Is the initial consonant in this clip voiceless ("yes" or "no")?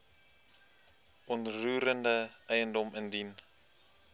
no